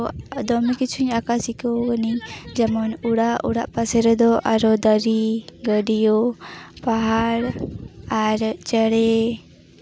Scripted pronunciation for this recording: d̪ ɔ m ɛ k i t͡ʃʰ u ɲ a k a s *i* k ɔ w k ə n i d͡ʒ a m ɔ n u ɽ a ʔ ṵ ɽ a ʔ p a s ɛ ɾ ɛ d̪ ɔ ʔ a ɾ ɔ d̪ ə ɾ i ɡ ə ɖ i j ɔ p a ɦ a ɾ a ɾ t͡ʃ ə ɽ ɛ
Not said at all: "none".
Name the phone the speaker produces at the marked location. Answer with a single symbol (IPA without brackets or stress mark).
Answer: i